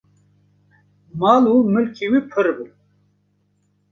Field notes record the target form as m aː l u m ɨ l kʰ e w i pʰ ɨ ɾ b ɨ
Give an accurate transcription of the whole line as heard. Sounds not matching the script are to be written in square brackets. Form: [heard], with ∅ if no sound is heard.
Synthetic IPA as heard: m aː l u m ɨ l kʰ [i] w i pʰ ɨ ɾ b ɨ